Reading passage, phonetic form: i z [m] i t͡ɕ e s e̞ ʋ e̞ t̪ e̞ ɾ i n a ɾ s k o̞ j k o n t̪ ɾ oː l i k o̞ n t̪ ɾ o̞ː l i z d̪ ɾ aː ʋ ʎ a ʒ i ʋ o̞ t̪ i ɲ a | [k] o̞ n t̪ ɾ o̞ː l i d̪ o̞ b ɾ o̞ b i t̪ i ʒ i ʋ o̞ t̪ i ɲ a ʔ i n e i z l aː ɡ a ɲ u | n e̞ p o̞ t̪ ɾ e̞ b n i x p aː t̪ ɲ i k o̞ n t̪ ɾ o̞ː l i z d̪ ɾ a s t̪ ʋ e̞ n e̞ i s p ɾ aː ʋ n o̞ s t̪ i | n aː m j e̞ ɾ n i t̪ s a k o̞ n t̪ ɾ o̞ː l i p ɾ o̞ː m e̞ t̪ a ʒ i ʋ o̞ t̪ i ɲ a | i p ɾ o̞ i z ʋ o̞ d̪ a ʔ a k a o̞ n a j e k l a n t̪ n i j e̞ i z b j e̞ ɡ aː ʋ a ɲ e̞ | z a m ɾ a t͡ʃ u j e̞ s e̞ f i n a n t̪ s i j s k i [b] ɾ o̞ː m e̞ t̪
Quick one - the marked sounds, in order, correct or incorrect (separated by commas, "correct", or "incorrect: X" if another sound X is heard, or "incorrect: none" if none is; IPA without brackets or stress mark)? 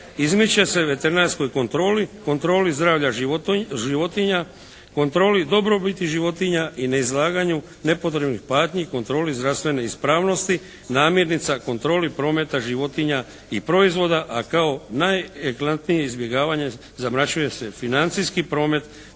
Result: correct, correct, incorrect: p